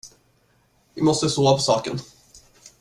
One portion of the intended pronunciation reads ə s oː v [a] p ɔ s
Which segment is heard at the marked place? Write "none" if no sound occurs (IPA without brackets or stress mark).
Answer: a